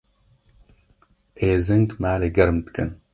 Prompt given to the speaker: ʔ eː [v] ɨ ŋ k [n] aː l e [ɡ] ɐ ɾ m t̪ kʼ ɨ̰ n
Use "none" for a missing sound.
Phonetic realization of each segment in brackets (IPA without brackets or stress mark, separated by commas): z, m, ɡ